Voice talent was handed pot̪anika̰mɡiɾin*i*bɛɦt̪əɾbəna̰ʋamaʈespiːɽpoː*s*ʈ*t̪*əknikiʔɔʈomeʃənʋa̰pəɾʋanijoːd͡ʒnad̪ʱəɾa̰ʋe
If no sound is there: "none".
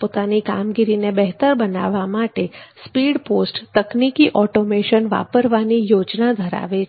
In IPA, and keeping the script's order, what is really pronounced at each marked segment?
e, s, t̪

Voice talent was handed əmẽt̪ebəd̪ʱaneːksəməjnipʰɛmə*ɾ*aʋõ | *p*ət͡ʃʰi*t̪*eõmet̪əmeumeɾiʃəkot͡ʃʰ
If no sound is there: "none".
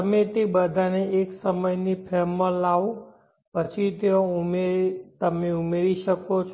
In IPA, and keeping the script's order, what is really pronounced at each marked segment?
l, p, t̪

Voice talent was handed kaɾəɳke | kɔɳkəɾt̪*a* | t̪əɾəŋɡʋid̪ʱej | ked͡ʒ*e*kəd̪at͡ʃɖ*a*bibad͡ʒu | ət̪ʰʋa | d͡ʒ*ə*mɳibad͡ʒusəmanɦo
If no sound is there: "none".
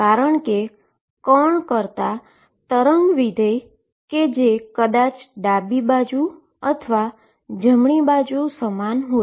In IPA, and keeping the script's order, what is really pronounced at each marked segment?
a, e, a, ə

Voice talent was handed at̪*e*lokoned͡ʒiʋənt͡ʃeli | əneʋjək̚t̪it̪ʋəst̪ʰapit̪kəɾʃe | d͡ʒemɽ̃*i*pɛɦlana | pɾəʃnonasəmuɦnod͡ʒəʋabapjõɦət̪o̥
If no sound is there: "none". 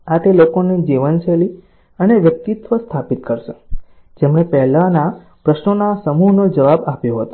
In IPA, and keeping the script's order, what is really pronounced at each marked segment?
e, e

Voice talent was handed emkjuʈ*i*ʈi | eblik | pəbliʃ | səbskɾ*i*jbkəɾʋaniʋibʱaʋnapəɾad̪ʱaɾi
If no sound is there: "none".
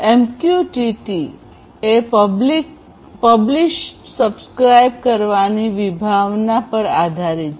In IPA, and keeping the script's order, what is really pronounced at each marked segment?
i, a

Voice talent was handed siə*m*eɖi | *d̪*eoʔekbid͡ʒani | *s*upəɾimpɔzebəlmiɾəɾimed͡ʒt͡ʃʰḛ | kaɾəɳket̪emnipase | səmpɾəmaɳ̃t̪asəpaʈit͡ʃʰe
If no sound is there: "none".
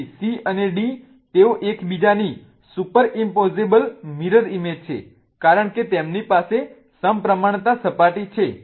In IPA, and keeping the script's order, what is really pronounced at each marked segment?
n, t̪, s

